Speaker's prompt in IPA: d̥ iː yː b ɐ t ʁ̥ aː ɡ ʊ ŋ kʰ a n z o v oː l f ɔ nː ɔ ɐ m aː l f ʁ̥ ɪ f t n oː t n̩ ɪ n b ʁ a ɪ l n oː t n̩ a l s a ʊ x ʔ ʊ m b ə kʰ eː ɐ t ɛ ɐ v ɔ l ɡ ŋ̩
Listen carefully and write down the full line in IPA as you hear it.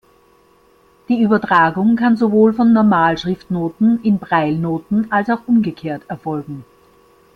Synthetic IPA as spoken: d̥ iː yː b ɐ t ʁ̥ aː ɡ ʊ ŋ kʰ a n z o v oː l f ɔ nː ɔ ɐ m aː l ʃ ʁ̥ ɪ f t n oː t n̩ ɪ n b ʁ a ɪ l n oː t n̩ a l s a ʊ x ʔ ʊ m ɡ ə kʰ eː ɐ t ɛ ɐ f ɔ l ɡ ŋ̩